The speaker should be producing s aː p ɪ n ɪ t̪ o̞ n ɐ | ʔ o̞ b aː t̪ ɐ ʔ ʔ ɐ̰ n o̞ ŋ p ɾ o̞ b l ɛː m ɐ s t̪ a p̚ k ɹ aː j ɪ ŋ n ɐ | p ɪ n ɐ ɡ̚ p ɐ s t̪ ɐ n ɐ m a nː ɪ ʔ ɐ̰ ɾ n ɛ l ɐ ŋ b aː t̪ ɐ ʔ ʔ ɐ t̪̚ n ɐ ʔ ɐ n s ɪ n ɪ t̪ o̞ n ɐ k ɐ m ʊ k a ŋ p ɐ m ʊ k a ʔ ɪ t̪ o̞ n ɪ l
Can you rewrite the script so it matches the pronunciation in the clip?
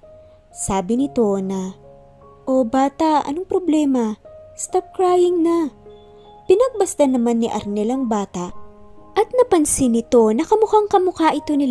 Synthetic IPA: s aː b ɪ n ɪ t̪ o̞ n ɐ | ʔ o̞ b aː t̪ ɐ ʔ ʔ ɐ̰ n o̞ ŋ p ɾ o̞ b l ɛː m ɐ s t̪ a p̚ k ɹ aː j ɪ ŋ n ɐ | p ɪ n ɐ ɡ̚ b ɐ s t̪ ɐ n ɐ m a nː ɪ ʔ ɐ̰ ɾ n ɛ l ɐ ŋ b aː t̪ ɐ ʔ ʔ ɐ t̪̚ n ɐ p ɐ n s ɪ n ɪ t̪ o̞ n ɐ k ɐ m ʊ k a ŋ k ɐ m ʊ k a ʔ ɪ t̪ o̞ n ɪ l